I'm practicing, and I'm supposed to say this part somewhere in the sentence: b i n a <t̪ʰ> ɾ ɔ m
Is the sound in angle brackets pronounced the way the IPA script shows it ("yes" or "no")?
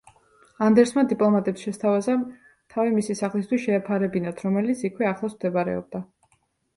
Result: yes